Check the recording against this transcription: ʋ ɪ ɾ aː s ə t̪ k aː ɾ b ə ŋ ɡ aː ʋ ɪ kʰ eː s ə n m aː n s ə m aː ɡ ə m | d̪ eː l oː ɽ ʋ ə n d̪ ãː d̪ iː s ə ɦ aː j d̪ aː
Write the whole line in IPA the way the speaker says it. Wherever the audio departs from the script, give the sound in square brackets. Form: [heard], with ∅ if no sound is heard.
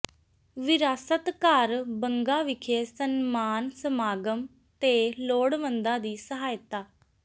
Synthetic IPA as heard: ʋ ɪ ɾ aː s ə t̪ k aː ɾ b ə ŋ ɡ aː ʋ ɪ kʰ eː s ə n m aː n s ə m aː ɡ ə m | [t̪] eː l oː ɽ ʋ ə n d̪ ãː d̪ iː s ə ɦ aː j [t̪] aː

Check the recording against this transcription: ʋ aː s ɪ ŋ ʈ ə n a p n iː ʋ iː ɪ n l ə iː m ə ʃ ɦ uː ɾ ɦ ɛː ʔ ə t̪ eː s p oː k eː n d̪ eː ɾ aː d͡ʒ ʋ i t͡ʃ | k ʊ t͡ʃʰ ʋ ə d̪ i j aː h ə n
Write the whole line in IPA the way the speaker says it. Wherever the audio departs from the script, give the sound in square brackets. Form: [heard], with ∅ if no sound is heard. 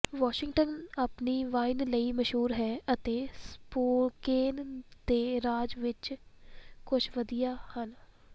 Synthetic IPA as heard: ʋ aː [ʃ] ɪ ŋ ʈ ə n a p n iː ʋ [aː] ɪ n l ə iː m ə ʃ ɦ uː ɾ ɦ ɛː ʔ ə t̪ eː s p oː k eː n d̪ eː ɾ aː d͡ʒ ʋ [ɪ] t͡ʃ | k ʊ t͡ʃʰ ʋ ə d̪ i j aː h ə n

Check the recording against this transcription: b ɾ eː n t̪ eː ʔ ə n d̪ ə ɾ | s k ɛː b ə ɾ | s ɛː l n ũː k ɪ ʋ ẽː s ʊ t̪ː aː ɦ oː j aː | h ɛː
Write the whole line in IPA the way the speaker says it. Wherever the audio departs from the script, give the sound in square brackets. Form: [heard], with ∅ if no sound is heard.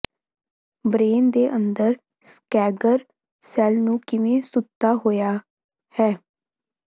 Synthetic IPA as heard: b ɾ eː n [d̪] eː ʔ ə n d̪ ə ɾ | s k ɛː [ɡ] ə ɾ | s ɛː l n ũː k ɪ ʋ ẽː s ʊ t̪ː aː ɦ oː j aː | h ɛː

